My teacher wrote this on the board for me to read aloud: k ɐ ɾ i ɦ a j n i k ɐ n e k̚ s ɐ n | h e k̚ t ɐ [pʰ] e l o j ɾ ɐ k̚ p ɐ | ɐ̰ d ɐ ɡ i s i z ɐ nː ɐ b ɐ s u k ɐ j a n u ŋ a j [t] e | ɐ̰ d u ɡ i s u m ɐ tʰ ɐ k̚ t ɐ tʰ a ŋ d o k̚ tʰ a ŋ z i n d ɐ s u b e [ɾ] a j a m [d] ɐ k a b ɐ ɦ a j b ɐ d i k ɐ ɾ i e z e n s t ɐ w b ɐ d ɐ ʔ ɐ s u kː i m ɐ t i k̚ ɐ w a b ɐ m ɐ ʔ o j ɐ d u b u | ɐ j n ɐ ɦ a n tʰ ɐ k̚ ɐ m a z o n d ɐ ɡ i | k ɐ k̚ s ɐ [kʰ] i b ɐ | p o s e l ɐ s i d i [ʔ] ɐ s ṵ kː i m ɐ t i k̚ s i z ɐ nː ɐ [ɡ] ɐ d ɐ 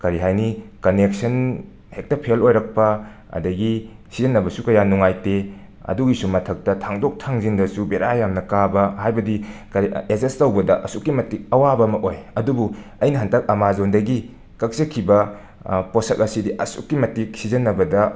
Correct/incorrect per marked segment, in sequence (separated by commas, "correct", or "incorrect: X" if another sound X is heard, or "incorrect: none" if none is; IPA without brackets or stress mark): correct, correct, correct, incorrect: n, correct, correct, incorrect: b